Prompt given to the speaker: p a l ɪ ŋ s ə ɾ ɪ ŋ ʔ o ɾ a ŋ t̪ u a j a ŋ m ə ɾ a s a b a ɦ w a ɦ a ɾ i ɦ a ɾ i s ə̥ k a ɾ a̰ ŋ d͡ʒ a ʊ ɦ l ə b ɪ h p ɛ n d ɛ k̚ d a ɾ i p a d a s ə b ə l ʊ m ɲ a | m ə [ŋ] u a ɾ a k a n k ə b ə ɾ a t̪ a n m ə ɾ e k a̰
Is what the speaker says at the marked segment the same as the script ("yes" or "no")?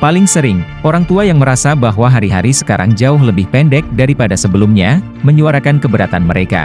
no